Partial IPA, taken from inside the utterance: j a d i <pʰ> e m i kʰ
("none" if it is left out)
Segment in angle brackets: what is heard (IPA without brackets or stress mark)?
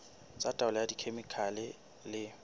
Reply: kʰ